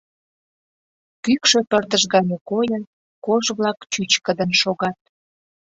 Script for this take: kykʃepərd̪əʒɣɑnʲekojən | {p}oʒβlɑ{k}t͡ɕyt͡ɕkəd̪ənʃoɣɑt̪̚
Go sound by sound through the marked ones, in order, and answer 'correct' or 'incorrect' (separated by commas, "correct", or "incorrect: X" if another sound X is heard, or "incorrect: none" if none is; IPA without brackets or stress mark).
incorrect: k, correct